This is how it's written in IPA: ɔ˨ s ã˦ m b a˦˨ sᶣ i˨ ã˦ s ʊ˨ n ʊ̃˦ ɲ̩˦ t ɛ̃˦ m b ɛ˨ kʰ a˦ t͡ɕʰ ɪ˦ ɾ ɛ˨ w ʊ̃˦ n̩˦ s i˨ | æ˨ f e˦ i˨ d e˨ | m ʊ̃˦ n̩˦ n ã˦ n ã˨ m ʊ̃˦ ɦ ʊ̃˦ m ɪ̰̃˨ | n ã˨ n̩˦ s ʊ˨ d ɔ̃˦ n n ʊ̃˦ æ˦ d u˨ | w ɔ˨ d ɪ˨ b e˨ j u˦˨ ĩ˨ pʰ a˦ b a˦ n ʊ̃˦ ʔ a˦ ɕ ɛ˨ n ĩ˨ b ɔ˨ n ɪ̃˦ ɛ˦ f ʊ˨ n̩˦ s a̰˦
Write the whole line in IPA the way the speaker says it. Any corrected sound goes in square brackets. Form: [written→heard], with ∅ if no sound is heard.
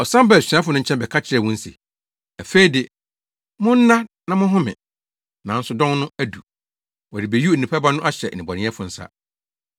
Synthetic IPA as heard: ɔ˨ s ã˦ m b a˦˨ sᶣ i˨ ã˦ [s→f] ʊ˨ n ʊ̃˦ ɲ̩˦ [t→t͡ɕʰ] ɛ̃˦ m b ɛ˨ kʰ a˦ t͡ɕʰ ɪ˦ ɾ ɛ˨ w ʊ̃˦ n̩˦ s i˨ | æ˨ f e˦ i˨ d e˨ | m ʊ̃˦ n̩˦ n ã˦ n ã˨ m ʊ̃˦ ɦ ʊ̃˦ m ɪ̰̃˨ | n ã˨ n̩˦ s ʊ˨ d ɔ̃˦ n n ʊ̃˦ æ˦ d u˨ | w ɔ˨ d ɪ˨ b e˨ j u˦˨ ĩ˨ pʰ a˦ b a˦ n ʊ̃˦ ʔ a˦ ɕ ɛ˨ n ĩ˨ b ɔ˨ n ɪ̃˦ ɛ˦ f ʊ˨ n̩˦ s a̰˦